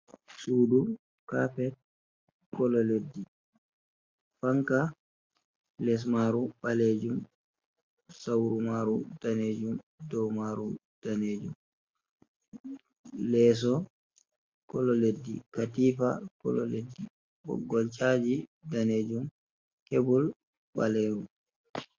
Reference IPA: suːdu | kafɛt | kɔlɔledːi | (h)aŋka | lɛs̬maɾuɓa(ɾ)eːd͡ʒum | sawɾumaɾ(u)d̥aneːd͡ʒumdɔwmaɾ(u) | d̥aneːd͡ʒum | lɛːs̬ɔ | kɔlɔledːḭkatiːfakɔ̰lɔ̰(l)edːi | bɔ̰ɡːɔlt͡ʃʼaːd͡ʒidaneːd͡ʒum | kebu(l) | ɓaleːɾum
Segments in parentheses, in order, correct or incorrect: incorrect: f, incorrect: l, correct, correct, correct, correct

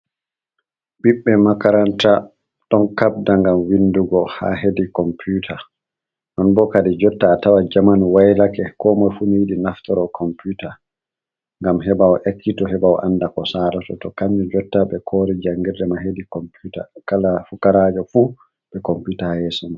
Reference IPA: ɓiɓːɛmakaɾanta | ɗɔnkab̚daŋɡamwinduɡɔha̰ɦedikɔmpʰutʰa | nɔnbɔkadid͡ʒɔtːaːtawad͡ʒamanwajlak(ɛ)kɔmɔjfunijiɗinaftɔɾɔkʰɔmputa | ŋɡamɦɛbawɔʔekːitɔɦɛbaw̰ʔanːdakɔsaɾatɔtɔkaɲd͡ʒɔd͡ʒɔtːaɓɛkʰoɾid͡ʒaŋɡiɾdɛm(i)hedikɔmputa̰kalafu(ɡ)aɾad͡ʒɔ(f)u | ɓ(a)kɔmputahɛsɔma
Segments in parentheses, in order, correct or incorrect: correct, incorrect: a, incorrect: k, correct, incorrect: ɛ

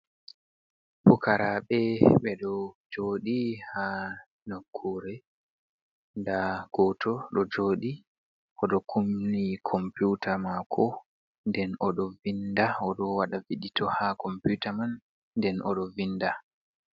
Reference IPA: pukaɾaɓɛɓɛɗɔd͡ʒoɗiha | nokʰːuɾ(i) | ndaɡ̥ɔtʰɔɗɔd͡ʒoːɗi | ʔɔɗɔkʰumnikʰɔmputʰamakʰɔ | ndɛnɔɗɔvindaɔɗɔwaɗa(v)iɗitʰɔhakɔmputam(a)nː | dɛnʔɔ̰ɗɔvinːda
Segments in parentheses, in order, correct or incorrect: incorrect: ɛ, correct, correct

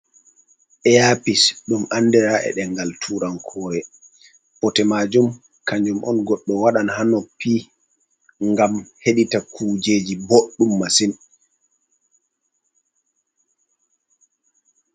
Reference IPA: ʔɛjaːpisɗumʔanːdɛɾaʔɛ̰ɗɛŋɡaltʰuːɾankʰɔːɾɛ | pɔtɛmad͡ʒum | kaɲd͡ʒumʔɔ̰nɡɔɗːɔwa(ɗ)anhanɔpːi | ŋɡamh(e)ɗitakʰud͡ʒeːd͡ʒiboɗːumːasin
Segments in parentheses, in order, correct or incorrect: correct, correct

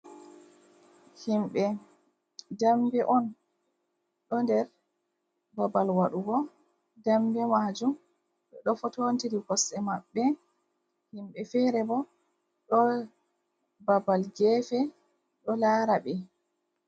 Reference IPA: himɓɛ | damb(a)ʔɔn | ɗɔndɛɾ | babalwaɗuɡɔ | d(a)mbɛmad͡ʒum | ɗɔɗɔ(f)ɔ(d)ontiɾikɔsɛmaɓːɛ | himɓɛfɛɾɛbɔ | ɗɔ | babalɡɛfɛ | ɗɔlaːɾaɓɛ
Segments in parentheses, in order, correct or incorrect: incorrect: ɛ, correct, correct, incorrect: t

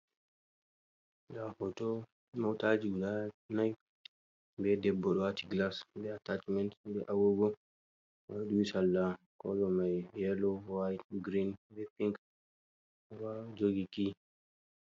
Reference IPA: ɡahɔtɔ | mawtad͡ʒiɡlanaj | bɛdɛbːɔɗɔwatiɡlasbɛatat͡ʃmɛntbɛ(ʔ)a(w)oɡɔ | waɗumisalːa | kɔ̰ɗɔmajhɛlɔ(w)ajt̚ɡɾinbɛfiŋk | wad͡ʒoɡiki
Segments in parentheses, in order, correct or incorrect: correct, correct, correct

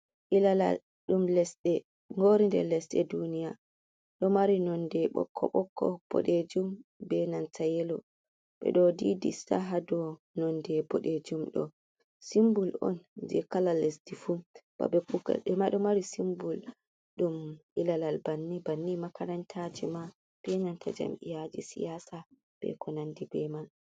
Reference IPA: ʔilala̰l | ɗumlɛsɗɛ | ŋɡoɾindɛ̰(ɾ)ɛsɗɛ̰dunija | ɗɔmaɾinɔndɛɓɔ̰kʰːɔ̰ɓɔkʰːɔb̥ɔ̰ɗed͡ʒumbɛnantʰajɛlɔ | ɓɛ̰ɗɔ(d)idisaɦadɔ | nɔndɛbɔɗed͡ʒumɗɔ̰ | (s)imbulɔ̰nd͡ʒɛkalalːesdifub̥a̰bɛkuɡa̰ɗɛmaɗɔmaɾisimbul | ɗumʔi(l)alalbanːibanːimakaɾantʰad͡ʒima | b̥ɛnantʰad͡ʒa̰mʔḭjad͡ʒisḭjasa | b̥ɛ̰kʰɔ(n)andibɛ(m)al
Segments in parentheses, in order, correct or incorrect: incorrect: l, correct, correct, correct, correct, correct

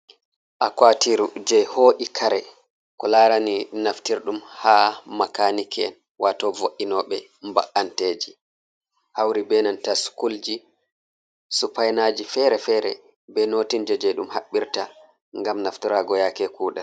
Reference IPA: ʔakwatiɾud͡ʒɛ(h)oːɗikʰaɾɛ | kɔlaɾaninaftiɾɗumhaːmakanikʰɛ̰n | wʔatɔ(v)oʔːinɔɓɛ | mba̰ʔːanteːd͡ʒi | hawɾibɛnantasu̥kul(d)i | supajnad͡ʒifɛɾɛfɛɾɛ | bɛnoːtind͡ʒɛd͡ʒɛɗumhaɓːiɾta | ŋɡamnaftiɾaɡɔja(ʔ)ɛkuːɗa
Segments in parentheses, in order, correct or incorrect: correct, correct, incorrect: d͡ʒ, incorrect: k

